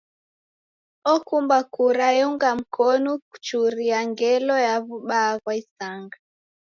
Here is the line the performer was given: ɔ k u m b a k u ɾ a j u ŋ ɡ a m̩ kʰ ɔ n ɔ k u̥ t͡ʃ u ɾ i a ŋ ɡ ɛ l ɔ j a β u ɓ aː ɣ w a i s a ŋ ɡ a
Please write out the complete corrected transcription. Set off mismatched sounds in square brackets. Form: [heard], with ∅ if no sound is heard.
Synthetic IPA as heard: ɔ k u m b a k u ɾ a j u ŋ ɡ a m̩ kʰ ɔ n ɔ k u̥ t͡ʃ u ɾ i a ŋ ɡ ɛ l ɔ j a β u ɓ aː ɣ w a i s a ŋ ɡ a